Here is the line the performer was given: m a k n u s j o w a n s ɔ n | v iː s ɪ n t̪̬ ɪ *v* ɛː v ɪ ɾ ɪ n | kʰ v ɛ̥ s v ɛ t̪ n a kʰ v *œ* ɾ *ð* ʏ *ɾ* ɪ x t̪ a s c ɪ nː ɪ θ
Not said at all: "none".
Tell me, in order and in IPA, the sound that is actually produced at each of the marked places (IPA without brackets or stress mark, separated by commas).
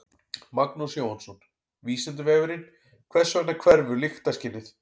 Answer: v, ɛ, v, l